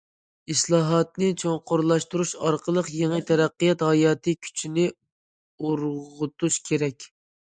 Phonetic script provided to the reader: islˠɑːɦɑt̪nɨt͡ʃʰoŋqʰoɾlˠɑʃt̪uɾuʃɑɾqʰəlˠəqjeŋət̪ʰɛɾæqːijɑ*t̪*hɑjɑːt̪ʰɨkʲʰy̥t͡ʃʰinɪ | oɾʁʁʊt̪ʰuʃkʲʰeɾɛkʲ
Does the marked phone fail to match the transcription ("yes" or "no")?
no